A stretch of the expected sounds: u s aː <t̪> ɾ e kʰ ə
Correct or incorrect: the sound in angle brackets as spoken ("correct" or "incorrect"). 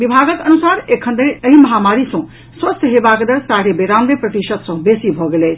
incorrect